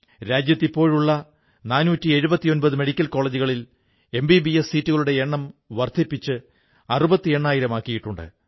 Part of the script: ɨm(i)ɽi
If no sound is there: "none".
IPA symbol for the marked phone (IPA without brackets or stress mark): e